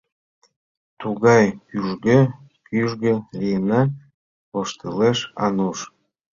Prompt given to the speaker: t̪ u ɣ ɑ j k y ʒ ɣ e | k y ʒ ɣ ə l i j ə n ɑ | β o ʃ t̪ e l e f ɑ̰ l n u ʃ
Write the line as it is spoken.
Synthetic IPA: t̪ u ɣ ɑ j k y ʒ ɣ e | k y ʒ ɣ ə l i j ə n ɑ | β o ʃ t̪ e l e ʃ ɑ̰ n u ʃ